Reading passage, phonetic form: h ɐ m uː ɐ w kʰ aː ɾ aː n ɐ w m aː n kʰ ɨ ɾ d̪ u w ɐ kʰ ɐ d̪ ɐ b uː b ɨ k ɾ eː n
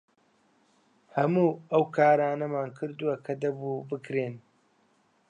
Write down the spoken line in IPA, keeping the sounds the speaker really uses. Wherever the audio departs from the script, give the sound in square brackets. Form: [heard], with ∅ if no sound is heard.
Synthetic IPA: h ɐ m uː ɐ w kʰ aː ɾ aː n ɐ [∅] m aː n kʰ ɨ ɾ d̪ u w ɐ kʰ ɐ d̪ ɐ b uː b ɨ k ɾ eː n